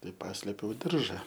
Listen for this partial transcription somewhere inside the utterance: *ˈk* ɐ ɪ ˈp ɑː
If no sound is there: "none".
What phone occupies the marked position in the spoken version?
t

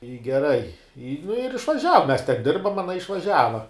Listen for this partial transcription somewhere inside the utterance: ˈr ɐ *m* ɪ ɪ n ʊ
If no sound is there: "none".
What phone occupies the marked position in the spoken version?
none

